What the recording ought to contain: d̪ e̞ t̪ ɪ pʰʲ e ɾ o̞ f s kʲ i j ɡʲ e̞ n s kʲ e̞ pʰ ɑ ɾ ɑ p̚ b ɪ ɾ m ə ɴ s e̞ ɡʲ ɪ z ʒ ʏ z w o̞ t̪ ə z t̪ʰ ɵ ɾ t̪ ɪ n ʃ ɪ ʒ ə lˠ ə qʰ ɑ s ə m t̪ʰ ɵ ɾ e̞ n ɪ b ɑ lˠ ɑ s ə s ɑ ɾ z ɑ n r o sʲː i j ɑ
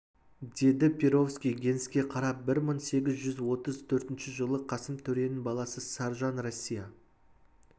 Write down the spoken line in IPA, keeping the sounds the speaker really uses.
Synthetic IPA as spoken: d̪ e̞ d̪ ɪ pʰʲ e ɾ o̞ f s kʲ i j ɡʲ e̞ n s kʲ e̞ qʰ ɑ ɾ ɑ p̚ b ɪ ɾ m ə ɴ s e̞ ɡʲ ɪ z ʒ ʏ z w o̞ t̪ ə z t̪ʰ ɵ ɾ t̪ ɪ n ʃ ɪ ʒ ə lˠ ə qʰ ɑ s ə m t̪ʰ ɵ ɾ e̞ n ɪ b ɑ lˠ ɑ s ə s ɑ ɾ ʒ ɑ n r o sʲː i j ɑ

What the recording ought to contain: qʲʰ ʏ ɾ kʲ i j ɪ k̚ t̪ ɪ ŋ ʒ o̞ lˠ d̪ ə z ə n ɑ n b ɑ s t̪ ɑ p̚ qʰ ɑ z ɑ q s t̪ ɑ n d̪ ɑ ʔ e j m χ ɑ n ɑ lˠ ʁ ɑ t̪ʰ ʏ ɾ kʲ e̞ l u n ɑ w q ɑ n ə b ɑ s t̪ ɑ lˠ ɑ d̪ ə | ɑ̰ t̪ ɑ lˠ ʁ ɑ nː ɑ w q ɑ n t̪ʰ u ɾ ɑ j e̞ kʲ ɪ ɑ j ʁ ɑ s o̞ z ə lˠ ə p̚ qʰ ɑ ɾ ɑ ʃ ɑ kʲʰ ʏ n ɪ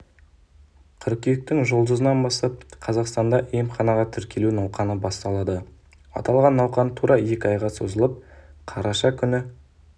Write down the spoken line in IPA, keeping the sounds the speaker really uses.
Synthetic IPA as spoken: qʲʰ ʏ ɾ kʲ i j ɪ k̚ t̪ ɪ ŋ ʒ o̞ lˠ d̪ ə z ə n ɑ n b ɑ s t̪ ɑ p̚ qʰ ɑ z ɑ q s t̪ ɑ n d̪ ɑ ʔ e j m χ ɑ n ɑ ʁ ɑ t̪ʰ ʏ ɾ kʲ e̞ l u n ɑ w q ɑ n ə b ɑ s t̪ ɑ lˠ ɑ d̪ ə | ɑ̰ t̪ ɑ lˠ ʁ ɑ nː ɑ w q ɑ n t̪ʰ u ɾ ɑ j e̞ kʲ ɪ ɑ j ʁ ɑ s o̞ z ə lˠ ə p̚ qʰ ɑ ɾ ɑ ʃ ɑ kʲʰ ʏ n ɪ

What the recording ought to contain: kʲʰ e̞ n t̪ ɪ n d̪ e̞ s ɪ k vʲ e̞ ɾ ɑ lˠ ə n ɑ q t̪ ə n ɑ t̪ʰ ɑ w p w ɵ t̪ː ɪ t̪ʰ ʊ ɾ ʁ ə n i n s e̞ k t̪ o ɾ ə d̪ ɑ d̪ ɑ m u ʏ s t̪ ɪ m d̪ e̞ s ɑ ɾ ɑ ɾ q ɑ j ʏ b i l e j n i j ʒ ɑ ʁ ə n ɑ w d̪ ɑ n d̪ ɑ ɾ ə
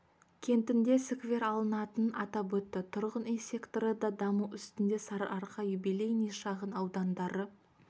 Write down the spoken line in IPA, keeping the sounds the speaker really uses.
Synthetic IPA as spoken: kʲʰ e̞ n t̪ ɪ n d̪ e̞ s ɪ k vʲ e̞ ɾ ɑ lˠ ə n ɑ t̪ ə n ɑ t̪ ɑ p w ɵ t̪ː ɪ t̪ʰ ʊ ɾ ʁ ə n i n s e̞ k t̪ o ɾ ə d̪ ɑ d̪ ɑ m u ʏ s t̪ ɪ n d̪ e̞ s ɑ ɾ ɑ ɾ q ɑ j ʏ b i l e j n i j ʃ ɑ ʁ ə n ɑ w d̪ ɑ n d̪ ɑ ɾ ə

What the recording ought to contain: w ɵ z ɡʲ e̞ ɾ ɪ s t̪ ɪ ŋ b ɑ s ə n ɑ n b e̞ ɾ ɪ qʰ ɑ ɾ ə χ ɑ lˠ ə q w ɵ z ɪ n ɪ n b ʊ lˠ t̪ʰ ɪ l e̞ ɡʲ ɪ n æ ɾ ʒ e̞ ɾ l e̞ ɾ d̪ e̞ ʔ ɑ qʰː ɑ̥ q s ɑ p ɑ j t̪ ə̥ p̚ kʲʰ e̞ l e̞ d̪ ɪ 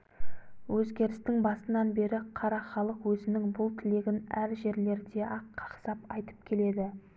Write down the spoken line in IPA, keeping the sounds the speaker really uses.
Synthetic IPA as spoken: w ɵ z ɡʲ e̞ ɾ ɪ s t̪ ɪ ŋ b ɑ s ə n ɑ n b e̞ ɾ ɪ qʰ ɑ ɾ ɑ χ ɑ lˠ ə q w ɵ z ɪ n ɪ ŋ b ʊ lˠ t̪ʰ ɪ l e̞ ɡʲ ɪ n æ ɾ ʒ e̞ ɾ l e̞ ɾ d̪ e̞ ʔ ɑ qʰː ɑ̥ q s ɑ p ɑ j t̪ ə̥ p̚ kʲʰ e̞ l e̞ d̪ ɪ

